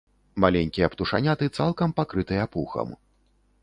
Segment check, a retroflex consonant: present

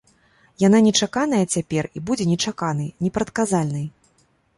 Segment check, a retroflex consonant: present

